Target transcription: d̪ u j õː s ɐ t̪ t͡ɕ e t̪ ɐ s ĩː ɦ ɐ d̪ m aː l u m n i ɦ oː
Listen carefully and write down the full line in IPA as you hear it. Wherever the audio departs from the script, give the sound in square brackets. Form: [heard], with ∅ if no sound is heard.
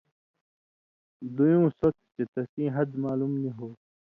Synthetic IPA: d̪ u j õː s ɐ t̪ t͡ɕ e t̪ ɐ s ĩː ɦ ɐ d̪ m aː l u m n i ɦ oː